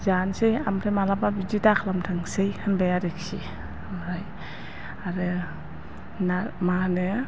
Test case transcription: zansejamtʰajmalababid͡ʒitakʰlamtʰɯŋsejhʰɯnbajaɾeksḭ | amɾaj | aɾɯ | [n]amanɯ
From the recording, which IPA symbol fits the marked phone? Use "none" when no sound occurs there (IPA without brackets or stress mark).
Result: n